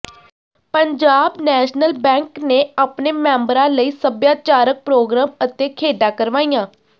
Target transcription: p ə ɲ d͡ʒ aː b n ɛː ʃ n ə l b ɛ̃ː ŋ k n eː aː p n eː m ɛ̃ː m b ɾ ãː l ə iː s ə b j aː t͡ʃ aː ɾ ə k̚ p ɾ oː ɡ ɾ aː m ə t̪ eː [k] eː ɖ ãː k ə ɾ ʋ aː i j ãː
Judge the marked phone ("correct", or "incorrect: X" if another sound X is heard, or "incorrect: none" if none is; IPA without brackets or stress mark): incorrect: kʰ